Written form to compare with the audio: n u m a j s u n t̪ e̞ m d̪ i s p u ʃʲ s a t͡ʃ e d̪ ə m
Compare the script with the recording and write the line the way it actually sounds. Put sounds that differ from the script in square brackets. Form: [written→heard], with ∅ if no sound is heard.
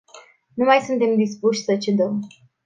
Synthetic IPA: n u m a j s u n t̪ e̞ m d̪ i s p u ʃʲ s [a→ə] t͡ʃ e d̪ ə m